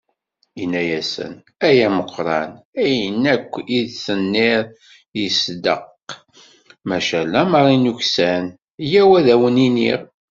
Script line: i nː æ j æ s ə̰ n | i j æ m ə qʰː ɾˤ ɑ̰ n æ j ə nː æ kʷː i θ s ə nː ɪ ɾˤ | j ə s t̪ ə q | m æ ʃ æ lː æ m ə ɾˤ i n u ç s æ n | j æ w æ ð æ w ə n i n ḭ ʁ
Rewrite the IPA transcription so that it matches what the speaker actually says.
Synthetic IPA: i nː æ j æ s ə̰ n | æ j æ m ə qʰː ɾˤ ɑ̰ n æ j ə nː æ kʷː i ð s ə nː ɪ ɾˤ | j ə s d̪ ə q | m æ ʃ æ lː æ m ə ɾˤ i n u ç s æ n | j æ w æ ð æ w ə n i n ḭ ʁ